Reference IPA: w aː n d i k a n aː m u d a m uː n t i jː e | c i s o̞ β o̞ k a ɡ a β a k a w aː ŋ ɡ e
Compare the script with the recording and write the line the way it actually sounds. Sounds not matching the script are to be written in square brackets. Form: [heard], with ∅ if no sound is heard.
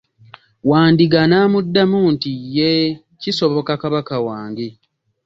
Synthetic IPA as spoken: w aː n d i [ɡ] a n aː m u [dː] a m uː n t i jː e | c i s o̞ β o̞ k a [k] a β a k a w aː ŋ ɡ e